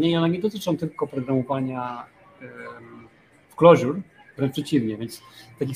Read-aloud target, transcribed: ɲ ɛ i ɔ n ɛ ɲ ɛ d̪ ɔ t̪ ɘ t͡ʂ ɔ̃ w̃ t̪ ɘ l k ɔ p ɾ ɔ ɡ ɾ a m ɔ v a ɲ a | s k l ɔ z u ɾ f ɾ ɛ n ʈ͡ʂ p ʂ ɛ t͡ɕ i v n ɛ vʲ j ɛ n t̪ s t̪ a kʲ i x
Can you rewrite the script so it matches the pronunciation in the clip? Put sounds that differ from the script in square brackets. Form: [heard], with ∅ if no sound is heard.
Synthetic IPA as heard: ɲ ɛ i ɔ n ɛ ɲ ɛ d̪ ɔ t̪ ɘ t͡ʂ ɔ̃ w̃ t̪ ɘ l k ɔ p ɾ ɔ ɡ ɾ a m ɔ v a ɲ a | [f] k l ɔ [ʑ] u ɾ [v] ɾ ɛ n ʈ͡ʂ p ʂ ɛ t͡ɕ i v [ɲ] ɛ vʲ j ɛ n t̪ s t̪ a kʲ i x